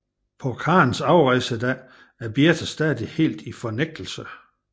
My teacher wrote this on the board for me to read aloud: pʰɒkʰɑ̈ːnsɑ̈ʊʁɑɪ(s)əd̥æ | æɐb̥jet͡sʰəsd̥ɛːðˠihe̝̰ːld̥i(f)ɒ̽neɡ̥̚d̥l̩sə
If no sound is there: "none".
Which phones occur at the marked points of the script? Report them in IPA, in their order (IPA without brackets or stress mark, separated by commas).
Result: s, f